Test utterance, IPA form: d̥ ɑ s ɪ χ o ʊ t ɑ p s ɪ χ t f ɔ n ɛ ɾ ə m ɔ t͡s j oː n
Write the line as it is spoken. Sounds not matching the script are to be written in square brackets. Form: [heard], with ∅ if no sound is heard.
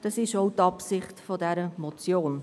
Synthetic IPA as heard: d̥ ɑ s ɪ [ʃ] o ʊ t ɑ p s ɪ χ t f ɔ [d] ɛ ɾ ə m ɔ t͡s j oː n